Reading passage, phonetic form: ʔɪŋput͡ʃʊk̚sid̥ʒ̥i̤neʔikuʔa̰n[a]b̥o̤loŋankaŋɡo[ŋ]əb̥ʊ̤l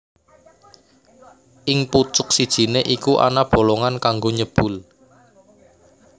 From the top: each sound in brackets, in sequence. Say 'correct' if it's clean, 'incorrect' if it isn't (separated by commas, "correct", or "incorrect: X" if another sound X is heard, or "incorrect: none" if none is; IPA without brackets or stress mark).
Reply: correct, incorrect: ɲ